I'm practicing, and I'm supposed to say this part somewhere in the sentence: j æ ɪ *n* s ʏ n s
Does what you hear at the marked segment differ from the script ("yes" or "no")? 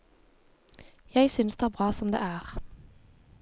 yes